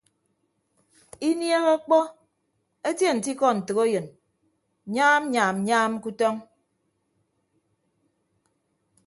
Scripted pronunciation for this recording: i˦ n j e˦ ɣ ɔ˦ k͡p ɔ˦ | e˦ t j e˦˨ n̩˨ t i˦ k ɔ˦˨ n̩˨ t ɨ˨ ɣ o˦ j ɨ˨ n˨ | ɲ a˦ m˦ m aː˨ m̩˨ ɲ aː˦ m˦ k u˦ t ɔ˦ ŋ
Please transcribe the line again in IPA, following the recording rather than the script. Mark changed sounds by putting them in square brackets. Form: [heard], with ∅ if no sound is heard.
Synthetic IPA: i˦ n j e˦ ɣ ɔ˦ k͡p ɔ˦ | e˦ t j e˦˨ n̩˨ t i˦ k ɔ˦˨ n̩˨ t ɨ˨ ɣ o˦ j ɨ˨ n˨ | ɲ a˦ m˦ [ɲ] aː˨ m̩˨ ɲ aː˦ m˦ k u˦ t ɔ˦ ŋ